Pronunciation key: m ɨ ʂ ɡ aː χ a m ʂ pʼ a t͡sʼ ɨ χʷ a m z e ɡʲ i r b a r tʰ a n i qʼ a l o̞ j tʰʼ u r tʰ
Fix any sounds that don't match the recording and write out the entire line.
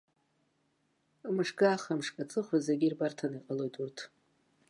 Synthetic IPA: m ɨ ʂ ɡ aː χ a m ʂ kʼ a t͡sʼ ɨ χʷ a z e ɡʲ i r b a r tʰ a n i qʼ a l o̞ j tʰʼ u r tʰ

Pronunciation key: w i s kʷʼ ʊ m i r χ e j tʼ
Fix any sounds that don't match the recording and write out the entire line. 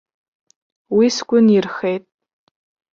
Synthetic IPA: w i s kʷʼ ʊ n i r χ e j tʼ

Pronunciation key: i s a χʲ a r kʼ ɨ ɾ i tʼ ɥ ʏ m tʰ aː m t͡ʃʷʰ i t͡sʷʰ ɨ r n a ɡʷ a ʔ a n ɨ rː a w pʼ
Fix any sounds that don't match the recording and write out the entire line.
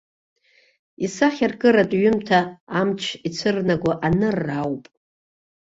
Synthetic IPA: i s a χʲ a r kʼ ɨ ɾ a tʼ ɥ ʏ m tʰ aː m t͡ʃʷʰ i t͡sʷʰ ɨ r n a ɡʷ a ʔ a n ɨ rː a w pʼ

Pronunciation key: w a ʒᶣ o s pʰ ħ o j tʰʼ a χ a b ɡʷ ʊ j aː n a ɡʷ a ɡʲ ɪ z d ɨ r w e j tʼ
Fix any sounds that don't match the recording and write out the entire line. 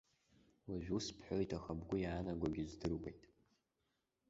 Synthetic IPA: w a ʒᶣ u s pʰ ħ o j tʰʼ a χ a b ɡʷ ʊ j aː n a ɡʷ a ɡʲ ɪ z d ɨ r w e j tʼ

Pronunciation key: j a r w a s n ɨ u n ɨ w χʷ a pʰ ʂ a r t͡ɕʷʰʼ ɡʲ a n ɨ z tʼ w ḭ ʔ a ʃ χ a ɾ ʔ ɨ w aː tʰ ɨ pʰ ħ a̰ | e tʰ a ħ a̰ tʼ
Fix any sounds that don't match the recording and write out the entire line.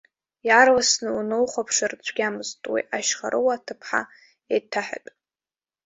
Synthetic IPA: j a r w a s n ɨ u n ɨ w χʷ a pʰ ʂ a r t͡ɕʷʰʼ ɡʲ a m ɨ z tʼ w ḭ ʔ a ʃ χ a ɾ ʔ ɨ w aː tʰ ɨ pʰ ħ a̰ | e tʰ a ħ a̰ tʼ

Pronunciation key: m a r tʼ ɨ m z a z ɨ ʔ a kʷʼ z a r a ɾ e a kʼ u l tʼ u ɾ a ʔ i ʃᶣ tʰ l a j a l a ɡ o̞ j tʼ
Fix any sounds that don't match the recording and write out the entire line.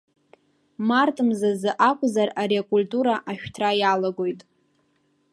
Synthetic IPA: m a r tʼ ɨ m z a z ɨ ʔ a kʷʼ z a r a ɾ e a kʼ u l tʼ u ɾ a ʔ a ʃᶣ tʰ r a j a l a ɡ o̞ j tʼ

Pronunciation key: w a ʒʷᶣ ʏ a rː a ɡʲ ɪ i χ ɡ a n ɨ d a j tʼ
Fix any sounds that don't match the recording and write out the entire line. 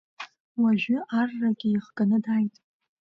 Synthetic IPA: w a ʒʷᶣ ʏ a rː a ɡʲ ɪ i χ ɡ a n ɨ d a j tʼ

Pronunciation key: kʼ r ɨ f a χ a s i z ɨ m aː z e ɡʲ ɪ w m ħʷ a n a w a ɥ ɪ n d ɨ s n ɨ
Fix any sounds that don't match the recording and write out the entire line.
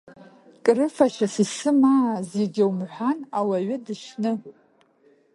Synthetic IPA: kʼ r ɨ f a ʃ a s i s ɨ m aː z e ɡʲ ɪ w m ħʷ a n a w a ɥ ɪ d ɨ ʃ n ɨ

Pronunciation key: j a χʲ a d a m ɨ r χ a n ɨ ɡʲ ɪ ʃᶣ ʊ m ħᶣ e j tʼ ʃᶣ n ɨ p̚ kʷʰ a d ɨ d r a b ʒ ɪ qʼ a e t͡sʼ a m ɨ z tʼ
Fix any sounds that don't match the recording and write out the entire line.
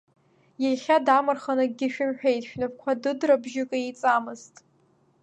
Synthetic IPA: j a χʲ a d a m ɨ r χ a n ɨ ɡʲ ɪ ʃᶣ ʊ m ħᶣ e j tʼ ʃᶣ n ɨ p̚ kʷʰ a d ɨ d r a b ʒ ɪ kʼ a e t͡sʼ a m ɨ z tʼ

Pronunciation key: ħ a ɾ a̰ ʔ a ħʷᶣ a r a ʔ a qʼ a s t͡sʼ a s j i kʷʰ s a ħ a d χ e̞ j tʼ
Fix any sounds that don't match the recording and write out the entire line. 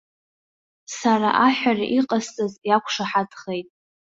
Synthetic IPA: s a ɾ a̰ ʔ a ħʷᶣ a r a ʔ i qʼ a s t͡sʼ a z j a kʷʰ ʂ a ħ a d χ e̞ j tʼ

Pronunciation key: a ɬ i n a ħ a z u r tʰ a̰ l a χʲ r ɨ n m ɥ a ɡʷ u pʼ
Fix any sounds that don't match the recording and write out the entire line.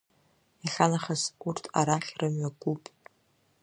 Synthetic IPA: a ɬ a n a χ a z u r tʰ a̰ ɾ a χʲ r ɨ m ɥ a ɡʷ u pʼ

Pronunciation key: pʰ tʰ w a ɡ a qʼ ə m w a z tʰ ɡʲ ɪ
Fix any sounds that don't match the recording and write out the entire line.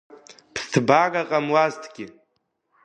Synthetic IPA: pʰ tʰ b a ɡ a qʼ a m w a z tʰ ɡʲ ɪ

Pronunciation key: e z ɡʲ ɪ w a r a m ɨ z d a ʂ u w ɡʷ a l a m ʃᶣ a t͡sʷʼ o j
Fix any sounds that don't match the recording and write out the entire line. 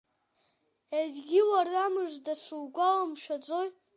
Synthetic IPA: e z ɡʲ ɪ w a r a m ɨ ʐ d a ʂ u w ɡʷ a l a m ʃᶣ a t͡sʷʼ o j

